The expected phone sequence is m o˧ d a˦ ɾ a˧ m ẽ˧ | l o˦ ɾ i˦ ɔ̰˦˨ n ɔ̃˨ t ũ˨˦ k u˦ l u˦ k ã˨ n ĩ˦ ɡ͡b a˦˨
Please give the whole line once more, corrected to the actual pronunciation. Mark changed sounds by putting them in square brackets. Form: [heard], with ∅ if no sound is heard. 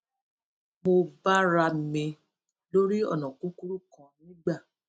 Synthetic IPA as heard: m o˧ [b] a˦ ɾ a˧ m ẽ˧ | l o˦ ɾ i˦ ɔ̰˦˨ n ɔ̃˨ [k] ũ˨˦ k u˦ [ɾ] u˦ k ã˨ n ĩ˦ ɡ͡b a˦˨